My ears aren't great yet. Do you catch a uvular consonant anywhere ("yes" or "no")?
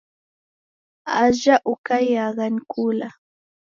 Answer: yes